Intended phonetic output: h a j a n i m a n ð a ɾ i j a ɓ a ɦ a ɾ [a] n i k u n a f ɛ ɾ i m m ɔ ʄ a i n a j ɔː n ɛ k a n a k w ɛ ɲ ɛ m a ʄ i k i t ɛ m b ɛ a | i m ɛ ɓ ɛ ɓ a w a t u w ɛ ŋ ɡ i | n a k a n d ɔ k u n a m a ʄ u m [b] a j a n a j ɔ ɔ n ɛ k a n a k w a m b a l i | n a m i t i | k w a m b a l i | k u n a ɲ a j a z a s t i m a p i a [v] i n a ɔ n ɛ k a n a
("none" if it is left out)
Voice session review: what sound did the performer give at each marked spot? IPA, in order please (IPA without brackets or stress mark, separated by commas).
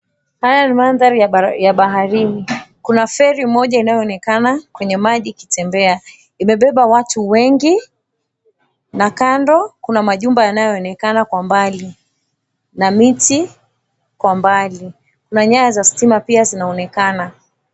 i, b, z